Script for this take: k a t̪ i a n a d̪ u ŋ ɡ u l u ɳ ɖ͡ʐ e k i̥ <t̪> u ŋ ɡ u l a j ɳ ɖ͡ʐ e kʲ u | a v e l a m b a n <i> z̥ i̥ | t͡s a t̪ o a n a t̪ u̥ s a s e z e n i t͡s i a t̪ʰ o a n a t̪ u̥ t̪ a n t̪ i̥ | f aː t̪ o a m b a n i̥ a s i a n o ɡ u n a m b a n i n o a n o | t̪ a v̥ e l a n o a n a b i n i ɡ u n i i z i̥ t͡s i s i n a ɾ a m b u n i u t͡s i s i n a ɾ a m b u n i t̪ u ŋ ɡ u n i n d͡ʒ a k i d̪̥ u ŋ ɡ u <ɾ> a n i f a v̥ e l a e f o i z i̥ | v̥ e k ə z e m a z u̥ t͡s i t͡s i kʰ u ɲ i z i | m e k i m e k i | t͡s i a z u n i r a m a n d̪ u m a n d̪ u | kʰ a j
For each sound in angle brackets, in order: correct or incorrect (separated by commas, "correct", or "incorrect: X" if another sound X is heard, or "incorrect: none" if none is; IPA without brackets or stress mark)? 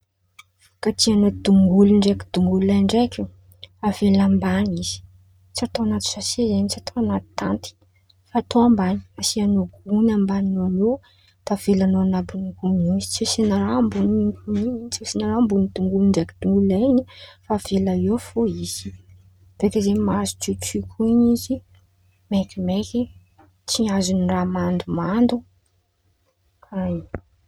incorrect: d̪, correct, incorrect: l